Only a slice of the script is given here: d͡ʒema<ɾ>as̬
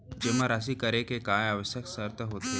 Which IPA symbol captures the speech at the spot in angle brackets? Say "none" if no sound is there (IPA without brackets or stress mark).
ɾ